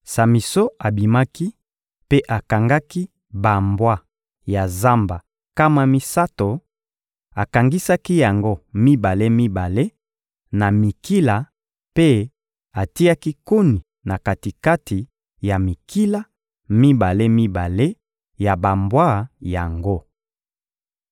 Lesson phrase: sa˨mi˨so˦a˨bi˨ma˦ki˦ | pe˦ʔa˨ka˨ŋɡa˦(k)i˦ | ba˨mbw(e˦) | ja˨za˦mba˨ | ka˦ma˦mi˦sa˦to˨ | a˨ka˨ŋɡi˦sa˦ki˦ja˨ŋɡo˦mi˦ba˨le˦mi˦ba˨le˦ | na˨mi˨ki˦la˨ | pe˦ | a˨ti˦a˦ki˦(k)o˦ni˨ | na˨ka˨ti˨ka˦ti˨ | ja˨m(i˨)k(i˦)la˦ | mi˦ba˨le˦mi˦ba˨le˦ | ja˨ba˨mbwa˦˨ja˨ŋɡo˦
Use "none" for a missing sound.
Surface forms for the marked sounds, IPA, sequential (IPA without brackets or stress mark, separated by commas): k, a˦, k, i˨, i˦